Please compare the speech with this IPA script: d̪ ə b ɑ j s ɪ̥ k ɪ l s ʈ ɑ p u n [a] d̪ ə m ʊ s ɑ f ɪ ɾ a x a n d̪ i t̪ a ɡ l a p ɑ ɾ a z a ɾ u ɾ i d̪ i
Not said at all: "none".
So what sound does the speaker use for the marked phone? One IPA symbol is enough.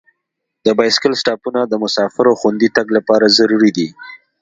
a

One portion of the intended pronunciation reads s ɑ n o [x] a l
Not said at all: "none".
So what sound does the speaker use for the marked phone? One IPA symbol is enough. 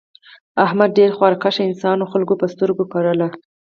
x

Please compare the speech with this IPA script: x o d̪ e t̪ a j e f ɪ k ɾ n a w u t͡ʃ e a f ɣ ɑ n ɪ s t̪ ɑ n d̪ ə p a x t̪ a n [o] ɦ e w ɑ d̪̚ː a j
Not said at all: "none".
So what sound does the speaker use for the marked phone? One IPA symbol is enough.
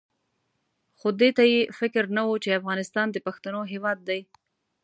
o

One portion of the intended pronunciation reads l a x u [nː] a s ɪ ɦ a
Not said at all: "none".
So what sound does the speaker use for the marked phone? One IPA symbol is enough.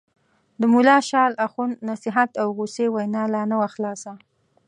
nː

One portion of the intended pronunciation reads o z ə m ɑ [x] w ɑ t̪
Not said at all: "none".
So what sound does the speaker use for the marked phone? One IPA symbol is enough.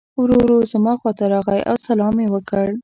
x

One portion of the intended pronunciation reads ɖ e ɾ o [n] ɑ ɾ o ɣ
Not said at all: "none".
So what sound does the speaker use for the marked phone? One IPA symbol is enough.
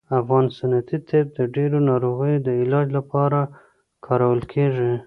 n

